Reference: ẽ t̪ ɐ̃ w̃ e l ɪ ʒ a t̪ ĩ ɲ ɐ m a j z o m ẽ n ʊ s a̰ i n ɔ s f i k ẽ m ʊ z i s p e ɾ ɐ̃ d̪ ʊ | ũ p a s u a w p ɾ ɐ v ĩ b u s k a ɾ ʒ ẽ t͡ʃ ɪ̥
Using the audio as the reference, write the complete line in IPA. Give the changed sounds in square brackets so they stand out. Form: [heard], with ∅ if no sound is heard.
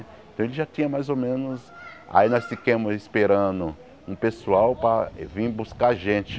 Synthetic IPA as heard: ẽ t̪ ɐ̃ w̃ e l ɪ ʒ a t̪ ĩ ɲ ɐ m a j z o m ẽ n ʊ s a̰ i n ɔ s f i k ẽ m ʊ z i s p e ɾ ɐ̃ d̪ ʊ | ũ p [e] s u a w p ɾ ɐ v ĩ b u s k a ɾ ʒ ẽ t͡ʃ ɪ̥